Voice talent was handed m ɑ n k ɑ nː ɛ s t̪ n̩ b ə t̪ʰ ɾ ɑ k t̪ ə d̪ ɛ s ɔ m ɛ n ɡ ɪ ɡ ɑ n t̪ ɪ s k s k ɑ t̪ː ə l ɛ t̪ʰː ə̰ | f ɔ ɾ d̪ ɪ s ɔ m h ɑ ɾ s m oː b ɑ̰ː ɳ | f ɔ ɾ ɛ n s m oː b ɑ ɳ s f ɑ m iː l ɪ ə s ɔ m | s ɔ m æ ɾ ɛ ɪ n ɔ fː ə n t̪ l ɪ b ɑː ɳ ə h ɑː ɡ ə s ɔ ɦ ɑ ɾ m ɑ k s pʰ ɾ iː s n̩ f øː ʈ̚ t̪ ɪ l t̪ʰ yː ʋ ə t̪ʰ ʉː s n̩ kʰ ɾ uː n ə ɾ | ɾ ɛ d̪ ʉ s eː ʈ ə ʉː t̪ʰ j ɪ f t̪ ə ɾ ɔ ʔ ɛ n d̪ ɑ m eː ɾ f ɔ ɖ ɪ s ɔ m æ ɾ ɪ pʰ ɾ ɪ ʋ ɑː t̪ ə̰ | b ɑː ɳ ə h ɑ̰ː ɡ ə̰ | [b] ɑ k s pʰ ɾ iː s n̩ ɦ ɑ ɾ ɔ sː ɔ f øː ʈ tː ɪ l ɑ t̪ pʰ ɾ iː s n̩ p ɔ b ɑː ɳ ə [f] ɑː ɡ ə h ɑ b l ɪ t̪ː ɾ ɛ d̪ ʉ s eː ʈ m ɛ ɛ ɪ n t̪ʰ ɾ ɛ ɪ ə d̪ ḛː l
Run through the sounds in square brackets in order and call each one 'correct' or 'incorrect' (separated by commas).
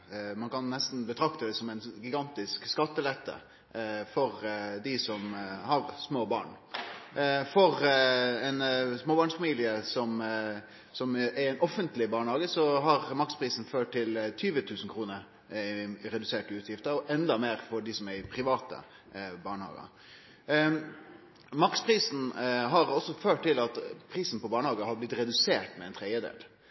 incorrect, incorrect